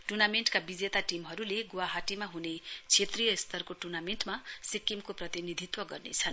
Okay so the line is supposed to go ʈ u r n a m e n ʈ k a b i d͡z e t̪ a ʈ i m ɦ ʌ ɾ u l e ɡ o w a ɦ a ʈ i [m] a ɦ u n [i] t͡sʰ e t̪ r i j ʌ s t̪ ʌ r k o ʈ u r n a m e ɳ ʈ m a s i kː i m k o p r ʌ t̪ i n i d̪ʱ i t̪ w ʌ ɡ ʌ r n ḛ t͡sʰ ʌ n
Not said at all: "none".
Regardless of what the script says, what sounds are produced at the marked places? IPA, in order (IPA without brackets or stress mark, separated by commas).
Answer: m, e